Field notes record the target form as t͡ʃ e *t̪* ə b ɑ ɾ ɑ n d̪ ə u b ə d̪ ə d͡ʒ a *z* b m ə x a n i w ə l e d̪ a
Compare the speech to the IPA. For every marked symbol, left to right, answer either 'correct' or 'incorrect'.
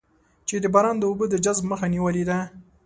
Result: incorrect, correct

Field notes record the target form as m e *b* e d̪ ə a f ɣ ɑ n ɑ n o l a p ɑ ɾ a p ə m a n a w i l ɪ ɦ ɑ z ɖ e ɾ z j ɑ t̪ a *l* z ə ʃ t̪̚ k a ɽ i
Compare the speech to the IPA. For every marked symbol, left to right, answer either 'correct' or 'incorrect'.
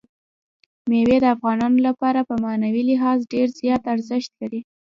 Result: incorrect, incorrect

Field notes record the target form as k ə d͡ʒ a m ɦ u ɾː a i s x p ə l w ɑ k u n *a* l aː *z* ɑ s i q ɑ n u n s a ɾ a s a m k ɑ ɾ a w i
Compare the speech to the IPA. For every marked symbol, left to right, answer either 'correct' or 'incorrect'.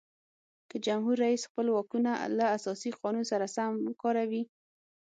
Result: correct, incorrect

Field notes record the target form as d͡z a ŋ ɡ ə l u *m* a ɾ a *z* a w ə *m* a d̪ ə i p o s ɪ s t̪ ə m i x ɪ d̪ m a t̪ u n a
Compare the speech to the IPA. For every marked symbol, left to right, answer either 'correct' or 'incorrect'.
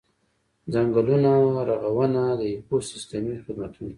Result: incorrect, incorrect, incorrect

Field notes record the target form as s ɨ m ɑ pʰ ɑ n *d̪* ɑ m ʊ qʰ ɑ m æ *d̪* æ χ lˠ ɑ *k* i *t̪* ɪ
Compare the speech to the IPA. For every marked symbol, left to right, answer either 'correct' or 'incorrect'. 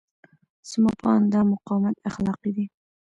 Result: correct, incorrect, incorrect, incorrect

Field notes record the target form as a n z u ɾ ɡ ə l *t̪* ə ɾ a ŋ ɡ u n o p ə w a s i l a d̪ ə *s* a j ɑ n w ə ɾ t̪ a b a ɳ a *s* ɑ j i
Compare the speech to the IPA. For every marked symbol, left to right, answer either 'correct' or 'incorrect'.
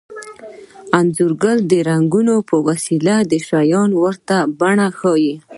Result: incorrect, incorrect, incorrect

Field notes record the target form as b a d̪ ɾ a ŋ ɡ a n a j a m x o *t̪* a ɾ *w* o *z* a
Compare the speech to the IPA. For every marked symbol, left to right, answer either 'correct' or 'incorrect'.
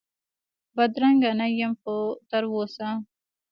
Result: correct, correct, incorrect

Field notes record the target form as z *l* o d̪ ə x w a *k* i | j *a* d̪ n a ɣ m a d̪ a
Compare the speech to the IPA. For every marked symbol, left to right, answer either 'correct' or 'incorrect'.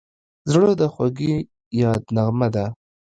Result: incorrect, incorrect, incorrect

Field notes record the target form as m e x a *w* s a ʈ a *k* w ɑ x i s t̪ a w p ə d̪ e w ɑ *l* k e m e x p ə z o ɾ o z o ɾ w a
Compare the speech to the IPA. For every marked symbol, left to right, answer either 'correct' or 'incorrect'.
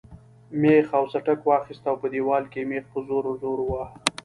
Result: correct, correct, correct

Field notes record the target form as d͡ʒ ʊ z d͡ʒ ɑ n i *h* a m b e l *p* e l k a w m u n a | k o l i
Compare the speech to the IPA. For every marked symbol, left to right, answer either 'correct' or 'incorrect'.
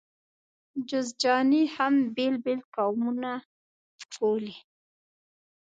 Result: correct, incorrect

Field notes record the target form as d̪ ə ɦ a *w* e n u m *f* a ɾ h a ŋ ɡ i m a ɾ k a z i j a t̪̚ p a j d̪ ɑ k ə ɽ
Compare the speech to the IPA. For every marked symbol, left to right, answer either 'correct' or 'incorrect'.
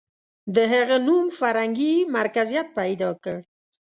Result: incorrect, correct

